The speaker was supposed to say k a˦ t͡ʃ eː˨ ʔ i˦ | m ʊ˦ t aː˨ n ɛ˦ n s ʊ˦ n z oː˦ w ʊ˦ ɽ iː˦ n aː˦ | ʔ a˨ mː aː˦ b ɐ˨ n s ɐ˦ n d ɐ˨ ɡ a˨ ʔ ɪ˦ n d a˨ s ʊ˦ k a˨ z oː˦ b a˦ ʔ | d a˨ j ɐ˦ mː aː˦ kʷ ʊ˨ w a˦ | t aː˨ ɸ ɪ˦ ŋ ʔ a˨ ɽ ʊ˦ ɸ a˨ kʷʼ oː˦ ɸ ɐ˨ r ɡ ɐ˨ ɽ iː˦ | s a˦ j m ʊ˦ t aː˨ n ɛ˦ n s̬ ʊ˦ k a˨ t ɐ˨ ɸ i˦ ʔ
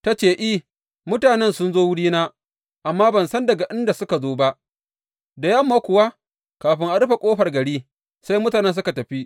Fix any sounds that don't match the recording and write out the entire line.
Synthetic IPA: t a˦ t͡ʃ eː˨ ʔ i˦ | m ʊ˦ t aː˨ n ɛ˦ n s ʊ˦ n z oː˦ w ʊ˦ ɽ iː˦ n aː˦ | ʔ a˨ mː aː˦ b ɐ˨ n s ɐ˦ n d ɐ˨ ɡ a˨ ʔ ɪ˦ n d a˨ s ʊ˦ k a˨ z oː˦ b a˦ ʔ | d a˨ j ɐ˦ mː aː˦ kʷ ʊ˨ w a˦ | k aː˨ ɸ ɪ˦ ŋ ʔ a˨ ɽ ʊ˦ ɸ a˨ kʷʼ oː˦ ɸ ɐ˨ r ɡ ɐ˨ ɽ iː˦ | s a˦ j m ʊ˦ t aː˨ n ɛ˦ n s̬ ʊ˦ k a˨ t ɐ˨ ɸ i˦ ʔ

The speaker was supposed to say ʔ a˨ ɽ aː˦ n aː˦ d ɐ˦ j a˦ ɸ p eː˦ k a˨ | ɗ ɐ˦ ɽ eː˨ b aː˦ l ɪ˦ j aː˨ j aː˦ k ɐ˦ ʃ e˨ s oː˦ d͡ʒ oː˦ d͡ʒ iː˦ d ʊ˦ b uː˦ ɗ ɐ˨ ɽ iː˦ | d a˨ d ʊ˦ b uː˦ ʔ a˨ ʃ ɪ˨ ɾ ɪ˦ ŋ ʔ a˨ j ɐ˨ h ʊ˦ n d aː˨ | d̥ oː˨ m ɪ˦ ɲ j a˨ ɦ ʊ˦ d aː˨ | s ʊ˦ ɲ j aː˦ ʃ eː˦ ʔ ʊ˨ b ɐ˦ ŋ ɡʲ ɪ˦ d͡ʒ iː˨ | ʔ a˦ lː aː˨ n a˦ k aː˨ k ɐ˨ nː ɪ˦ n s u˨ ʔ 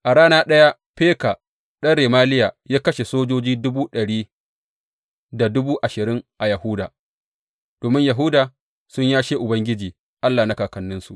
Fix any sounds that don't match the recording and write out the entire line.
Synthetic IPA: ʔ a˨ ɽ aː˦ n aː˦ ɗ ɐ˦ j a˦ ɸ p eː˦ k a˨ | ɗ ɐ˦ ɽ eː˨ m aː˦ l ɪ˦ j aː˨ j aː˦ k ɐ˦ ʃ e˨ s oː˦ d͡ʒ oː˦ d͡ʒ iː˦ d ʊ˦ b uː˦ ɗ ɐ˨ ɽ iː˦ | d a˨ d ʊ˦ b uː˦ ʔ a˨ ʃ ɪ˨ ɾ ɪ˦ ŋ ʔ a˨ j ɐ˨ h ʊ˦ d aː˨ | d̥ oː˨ m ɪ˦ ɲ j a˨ ɦ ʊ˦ d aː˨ | s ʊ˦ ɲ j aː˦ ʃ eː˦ ʔ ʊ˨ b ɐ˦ ŋ ɡʲ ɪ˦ d͡ʒ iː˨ | ʔ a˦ lː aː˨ n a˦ k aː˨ k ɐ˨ nː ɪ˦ n s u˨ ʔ

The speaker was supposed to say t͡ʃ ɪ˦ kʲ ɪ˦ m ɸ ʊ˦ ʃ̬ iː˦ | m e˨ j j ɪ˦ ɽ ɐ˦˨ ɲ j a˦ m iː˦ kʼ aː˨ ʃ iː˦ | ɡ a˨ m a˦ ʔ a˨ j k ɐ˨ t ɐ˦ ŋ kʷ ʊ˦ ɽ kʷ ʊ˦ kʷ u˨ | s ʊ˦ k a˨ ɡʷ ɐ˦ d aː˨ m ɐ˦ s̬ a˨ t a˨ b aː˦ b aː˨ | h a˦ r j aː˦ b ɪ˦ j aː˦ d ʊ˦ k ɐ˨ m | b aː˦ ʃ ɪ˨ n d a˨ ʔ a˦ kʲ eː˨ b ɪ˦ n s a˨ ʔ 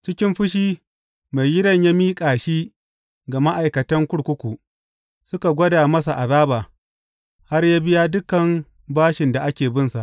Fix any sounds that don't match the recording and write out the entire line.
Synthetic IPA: t͡ʃ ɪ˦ kʲ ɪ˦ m ɸ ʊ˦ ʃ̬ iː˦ | m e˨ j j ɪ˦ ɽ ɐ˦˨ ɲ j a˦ m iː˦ kʼ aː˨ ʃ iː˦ | ɡ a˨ m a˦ ʔ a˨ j k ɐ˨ t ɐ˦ ŋ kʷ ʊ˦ ɽ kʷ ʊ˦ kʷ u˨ | s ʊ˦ k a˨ ɡʷ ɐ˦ d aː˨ m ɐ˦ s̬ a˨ ʔ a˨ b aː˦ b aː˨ | h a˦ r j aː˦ b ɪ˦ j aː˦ d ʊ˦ k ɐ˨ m | b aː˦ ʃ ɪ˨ n d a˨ ʔ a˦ kʲ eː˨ b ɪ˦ n s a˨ ʔ

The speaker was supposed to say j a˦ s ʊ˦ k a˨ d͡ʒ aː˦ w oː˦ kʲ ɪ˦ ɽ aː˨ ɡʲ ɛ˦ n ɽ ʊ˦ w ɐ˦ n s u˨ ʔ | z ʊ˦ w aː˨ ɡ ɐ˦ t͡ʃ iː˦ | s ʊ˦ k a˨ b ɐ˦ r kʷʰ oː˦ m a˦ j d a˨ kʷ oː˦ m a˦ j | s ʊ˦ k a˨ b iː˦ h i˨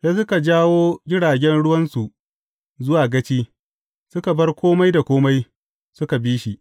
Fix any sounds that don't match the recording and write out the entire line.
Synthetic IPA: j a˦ s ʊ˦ k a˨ d͡ʒ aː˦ w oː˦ ɡʲ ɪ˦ ɽ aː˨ ɡʲ ɛ˦ n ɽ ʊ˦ w ɐ˦ n s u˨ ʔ | z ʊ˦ w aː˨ ɡ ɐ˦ t͡ʃ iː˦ | s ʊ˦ k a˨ b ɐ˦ r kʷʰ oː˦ m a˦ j d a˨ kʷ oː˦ m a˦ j | s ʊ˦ k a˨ b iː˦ ʃ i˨

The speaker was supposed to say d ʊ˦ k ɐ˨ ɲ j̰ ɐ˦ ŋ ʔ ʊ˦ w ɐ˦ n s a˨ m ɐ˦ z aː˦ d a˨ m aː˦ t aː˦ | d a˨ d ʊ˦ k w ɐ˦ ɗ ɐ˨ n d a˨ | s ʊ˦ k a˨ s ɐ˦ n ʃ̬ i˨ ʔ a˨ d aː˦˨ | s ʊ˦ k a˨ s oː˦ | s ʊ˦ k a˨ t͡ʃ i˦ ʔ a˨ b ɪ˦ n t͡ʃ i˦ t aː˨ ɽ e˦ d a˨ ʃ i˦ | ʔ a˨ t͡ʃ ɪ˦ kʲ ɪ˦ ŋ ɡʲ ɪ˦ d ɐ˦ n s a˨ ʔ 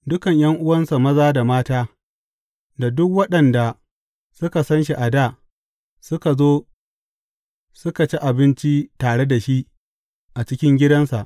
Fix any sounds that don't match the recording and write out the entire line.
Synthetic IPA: d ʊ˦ k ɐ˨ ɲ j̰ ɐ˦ ŋ ʔ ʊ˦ w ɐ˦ n s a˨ m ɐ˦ z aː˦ d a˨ m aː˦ t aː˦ | d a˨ d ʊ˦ k w ɐ˦ ɗ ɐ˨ n d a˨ | s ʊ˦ k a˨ s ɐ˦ n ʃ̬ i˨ ʔ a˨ d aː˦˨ | s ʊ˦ k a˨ z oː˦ | s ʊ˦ k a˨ t͡ʃ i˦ ʔ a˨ b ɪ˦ n t͡ʃ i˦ t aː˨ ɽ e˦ d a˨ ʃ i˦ | ʔ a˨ t͡ʃ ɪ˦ kʲ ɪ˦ ŋ ɡʲ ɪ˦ d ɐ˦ n s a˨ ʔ

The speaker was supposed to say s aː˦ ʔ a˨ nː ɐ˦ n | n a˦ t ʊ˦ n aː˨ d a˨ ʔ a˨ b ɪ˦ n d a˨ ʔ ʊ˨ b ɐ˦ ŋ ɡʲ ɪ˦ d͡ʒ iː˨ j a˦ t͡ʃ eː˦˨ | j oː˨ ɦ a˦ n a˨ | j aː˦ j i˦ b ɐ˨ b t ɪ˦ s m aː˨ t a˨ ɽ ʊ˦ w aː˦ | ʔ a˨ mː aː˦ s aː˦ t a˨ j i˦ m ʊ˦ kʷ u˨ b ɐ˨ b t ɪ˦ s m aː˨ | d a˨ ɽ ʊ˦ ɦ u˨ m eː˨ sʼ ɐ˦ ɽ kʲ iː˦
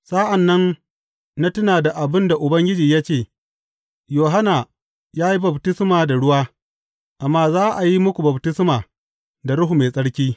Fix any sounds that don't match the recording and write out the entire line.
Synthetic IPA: s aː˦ ʔ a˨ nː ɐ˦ n | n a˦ t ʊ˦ n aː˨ d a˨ ʔ a˨ b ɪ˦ n d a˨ ʔ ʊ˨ b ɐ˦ ŋ ɡʲ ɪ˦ d͡ʒ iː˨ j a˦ t͡ʃ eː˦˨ | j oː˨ ɦ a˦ n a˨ | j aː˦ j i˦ b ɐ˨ b t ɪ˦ s m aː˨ d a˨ ɽ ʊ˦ w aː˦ | ʔ a˨ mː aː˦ z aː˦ ʔ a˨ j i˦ m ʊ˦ kʷ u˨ b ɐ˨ b t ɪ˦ s m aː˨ | d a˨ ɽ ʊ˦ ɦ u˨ m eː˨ sʼ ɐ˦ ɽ kʲ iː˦

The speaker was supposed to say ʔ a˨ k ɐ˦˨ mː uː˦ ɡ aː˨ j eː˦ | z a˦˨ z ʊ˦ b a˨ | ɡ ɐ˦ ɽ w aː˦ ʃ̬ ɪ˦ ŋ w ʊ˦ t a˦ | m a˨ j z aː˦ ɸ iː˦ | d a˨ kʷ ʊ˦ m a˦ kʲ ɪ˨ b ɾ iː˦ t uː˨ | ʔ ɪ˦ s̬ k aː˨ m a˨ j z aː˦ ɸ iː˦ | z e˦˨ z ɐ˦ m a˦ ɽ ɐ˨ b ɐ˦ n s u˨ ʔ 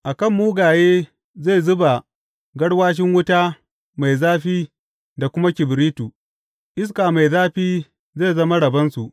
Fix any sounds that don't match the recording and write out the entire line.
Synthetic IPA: ʔ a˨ k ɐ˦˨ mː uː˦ ɡ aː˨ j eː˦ | z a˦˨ z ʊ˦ b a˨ | ɡ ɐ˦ ɽ w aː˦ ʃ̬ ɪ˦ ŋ w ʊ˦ t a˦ | m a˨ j z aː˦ ɸ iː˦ | d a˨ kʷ ʊ˦ m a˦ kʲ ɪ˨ b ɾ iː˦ t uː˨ | ʔ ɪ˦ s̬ k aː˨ m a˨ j z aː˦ ɸ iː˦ | z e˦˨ z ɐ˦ m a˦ ɽ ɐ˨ b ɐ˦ n s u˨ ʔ

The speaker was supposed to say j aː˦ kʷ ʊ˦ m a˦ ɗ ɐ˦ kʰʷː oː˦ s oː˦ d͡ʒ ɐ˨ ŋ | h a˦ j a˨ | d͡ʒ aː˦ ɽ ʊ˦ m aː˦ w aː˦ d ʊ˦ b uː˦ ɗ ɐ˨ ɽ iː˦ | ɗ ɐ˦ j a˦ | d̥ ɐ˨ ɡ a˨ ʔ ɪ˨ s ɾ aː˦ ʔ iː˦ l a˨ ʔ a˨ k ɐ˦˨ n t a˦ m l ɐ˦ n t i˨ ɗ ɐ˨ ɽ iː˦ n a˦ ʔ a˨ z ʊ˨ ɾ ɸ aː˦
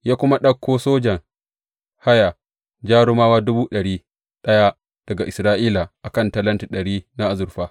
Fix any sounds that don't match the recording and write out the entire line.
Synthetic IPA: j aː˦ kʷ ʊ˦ m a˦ ɗ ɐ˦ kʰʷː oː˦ s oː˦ d͡ʒ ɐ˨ ŋ | h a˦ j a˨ | d͡ʒ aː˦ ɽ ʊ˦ m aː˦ w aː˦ d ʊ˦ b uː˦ ɗ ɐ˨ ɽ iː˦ | ɗ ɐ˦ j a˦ | d̥ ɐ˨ ɡ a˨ ʔ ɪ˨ s ɾ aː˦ ʔ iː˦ l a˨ ʔ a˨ k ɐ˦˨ n t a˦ l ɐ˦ n t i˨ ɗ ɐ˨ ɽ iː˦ n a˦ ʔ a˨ z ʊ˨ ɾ ɸ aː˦

